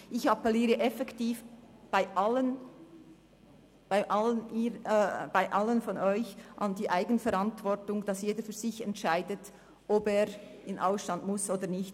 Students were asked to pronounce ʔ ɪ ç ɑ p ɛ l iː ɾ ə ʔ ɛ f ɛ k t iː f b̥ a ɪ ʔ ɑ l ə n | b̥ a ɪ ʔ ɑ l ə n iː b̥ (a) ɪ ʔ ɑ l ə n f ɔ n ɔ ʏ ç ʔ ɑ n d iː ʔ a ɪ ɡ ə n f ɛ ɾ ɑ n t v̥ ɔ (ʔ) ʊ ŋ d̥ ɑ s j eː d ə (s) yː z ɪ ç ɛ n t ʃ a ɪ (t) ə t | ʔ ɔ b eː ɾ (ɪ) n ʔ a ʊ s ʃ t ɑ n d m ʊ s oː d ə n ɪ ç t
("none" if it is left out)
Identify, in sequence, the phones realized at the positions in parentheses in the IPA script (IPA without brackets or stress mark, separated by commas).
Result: a, t, f, d, ɪ